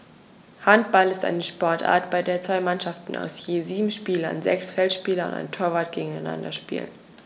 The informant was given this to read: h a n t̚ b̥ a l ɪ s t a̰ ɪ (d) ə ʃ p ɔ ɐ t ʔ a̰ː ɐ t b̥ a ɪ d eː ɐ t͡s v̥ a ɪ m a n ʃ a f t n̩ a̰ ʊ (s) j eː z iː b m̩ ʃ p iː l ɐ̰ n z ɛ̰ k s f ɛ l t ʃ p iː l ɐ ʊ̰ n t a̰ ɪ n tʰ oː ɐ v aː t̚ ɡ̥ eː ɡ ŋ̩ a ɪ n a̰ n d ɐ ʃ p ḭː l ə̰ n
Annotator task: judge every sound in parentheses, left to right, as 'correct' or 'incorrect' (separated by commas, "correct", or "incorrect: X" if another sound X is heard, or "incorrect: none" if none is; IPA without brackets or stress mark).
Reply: incorrect: n, correct